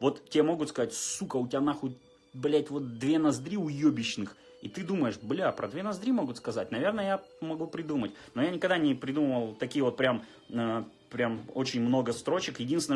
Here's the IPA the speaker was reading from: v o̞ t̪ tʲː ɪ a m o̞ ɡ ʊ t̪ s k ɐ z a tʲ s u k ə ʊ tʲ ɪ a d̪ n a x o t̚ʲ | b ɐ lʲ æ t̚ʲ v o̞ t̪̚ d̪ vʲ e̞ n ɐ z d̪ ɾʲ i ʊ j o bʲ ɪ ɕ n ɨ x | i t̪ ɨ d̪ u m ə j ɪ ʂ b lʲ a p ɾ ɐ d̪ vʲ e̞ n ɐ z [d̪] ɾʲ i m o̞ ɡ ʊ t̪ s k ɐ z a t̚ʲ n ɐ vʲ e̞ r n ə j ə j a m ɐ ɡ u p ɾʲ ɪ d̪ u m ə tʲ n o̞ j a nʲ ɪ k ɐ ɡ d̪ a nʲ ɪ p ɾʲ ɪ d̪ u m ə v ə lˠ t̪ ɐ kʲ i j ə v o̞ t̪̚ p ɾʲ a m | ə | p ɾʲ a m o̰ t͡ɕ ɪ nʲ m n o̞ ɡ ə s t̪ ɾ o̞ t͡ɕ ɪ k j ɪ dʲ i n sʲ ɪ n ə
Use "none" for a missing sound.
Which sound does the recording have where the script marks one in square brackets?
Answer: d̪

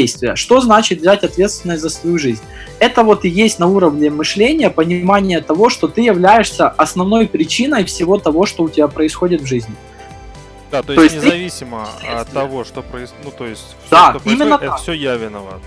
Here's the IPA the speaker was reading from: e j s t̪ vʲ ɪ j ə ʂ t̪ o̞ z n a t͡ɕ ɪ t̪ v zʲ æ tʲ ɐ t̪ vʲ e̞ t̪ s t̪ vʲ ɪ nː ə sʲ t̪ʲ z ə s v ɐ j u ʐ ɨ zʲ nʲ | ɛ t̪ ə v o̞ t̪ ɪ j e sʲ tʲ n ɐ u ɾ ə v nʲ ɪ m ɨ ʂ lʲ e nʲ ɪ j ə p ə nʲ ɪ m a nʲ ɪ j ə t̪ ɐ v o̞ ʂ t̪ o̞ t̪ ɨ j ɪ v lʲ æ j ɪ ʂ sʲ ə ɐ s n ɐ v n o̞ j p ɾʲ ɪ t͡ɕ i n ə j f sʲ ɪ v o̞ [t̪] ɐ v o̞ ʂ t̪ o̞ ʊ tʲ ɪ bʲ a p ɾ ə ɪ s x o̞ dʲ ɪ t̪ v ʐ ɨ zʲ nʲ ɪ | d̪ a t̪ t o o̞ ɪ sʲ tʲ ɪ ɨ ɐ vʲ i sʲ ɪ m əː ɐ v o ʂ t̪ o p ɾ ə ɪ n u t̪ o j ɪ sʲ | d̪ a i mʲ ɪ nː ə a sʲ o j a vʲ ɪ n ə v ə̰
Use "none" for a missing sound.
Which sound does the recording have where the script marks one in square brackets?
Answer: t̪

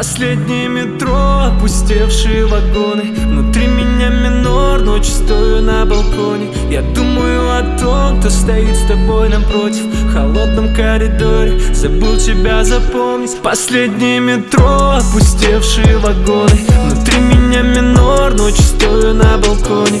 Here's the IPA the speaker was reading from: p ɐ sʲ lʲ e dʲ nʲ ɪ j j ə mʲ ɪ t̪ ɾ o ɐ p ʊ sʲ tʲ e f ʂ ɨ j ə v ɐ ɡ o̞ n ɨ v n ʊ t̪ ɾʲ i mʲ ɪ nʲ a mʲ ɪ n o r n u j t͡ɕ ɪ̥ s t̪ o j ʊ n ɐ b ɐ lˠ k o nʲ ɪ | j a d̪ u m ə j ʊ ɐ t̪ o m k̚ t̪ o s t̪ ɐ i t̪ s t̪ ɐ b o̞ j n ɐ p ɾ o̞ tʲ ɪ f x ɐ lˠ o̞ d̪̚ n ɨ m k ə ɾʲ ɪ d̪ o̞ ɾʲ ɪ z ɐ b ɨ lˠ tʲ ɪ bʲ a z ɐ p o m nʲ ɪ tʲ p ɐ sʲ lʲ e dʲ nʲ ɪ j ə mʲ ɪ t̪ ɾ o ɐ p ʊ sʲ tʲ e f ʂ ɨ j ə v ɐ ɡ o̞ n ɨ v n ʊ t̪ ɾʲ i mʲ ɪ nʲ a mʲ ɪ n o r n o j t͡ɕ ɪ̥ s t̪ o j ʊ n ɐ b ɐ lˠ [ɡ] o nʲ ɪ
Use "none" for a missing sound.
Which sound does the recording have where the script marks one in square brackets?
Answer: k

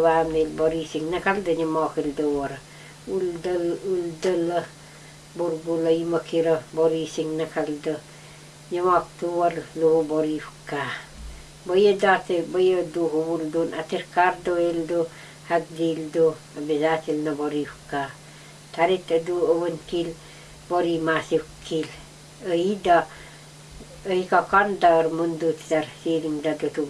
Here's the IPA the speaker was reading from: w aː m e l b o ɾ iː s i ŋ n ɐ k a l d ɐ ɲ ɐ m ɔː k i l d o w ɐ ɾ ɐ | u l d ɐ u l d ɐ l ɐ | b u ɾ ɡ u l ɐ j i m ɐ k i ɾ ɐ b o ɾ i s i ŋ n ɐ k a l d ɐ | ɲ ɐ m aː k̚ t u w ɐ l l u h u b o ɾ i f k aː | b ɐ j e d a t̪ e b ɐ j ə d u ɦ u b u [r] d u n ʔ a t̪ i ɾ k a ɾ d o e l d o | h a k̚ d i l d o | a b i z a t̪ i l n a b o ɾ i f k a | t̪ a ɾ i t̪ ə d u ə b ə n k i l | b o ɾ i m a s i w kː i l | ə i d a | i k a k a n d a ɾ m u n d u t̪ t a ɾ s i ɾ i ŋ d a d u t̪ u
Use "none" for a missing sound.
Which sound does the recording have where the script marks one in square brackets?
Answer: l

